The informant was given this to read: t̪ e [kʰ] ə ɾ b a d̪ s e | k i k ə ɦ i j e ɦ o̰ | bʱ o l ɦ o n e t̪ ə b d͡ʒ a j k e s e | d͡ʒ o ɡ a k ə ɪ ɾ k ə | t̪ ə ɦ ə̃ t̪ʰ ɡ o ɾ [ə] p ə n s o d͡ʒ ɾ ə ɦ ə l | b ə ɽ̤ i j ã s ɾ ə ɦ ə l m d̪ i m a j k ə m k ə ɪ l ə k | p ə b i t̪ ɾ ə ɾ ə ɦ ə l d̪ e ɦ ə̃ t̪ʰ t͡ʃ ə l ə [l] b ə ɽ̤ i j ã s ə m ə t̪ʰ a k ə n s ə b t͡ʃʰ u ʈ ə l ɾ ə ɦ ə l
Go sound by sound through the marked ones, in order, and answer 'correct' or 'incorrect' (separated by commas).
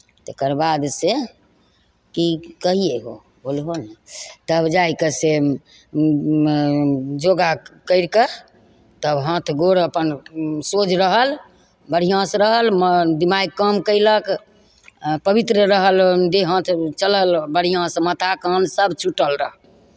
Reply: incorrect, correct, correct